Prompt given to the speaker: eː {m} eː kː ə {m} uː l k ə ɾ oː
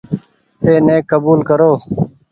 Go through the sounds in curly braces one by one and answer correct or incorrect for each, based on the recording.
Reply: incorrect: n, incorrect: b

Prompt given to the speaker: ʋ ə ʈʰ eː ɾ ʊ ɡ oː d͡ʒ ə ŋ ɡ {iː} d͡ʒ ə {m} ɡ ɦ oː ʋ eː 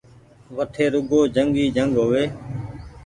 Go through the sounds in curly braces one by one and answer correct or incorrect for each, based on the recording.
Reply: correct, incorrect: ŋ

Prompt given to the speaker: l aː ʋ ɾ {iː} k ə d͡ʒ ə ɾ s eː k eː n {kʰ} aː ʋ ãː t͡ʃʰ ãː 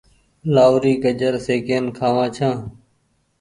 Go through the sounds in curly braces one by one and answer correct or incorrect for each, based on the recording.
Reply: correct, correct

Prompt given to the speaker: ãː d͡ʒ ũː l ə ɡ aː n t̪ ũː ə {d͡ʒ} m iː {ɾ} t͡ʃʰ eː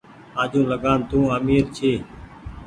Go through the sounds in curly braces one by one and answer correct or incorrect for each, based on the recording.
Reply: incorrect: none, correct

